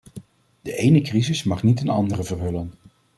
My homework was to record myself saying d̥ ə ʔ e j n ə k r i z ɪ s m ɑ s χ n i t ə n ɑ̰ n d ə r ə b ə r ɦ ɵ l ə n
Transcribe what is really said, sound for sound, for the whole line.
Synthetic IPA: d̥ ə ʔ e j n ə k r i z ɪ s m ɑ χ n i t ə n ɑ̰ n d ə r ə v ə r ɦ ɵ l ə n